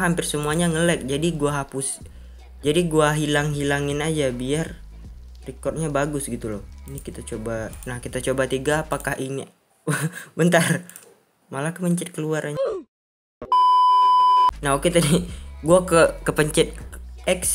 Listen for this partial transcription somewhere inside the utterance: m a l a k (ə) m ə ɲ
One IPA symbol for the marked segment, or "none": ə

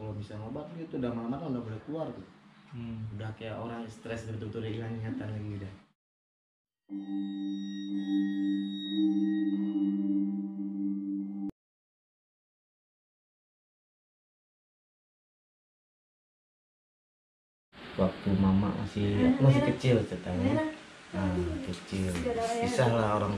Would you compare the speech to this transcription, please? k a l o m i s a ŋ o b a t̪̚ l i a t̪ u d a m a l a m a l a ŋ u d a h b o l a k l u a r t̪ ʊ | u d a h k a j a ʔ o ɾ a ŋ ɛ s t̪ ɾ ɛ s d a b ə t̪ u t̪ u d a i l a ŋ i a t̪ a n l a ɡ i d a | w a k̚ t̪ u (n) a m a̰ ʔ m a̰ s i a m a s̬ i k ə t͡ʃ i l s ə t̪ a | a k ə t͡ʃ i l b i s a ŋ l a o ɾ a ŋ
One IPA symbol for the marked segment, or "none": m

